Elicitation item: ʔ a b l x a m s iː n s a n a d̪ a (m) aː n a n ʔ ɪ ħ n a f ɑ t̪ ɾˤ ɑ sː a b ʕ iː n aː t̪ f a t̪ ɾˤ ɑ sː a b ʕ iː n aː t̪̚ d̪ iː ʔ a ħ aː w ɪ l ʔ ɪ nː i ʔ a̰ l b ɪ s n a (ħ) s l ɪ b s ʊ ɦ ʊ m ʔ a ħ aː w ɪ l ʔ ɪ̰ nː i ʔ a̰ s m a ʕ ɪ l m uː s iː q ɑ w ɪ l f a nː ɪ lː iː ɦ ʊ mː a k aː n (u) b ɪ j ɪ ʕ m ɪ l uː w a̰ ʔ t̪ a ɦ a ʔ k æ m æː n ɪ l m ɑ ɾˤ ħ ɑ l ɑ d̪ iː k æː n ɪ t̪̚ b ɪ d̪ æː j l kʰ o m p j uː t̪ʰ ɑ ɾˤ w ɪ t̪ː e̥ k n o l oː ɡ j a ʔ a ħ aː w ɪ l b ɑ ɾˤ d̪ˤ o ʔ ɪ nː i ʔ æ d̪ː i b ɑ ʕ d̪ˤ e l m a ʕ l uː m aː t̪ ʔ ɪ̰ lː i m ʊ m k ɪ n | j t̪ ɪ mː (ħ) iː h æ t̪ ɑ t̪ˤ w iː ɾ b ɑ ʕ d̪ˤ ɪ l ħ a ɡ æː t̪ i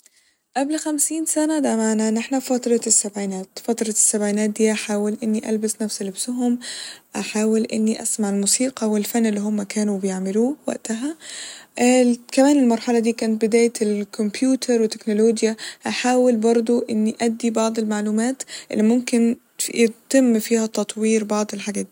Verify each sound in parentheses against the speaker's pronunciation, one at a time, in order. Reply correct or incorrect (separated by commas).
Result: correct, incorrect, correct, incorrect